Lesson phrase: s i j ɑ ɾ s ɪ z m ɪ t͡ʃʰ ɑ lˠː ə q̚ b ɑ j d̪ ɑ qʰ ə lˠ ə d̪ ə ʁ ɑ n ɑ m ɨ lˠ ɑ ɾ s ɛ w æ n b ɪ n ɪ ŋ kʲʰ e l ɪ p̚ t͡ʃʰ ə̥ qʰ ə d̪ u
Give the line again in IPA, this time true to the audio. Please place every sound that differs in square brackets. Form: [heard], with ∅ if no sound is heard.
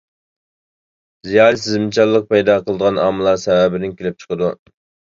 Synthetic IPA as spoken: [z] i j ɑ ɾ s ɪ z m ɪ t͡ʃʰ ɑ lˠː ə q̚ [p] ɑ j d̪ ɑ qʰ ə lˠ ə d̪ ə ʁ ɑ n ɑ m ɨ lˠ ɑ ɾ s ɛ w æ [∅] b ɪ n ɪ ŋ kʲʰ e l ɪ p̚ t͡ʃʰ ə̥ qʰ ə d̪ u